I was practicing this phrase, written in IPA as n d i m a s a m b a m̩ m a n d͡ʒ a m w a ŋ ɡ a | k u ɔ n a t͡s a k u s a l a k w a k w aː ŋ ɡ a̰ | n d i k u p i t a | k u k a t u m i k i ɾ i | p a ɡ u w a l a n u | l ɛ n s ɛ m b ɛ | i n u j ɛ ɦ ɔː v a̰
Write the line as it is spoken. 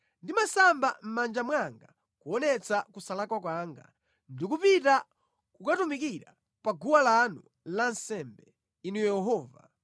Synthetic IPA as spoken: n d i m a s a m b a m̩ m a n d͡ʒ a m w a ŋ ɡ a | k u ɔ n ɛ t͡s a k u s a l a k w a k w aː ŋ ɡ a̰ | n d i k u p i t a | k u k a t u m i k i ɾ a | p a ɡ u w a l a n u | l a n s ɛ m b ɛ | i n u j ɛ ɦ ɔː v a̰